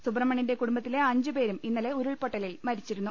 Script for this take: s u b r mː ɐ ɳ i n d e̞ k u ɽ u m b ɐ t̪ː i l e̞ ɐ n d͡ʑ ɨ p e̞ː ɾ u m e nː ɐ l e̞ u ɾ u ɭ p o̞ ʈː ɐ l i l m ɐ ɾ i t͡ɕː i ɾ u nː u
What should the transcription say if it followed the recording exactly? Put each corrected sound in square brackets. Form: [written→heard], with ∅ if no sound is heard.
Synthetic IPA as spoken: s u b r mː ɐ ɳ i n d e̞ k u ɽ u m b ɐ t̪ː i l e̞ ɐ [n→ɲ] d͡ʑ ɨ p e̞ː ɾ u m [e→i] nː ɐ l e̞ u ɾ u ɭ p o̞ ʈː ɐ l i l m ɐ ɾ i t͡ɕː i ɾ u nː u